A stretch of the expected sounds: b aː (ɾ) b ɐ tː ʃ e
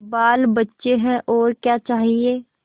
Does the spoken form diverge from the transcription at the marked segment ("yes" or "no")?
yes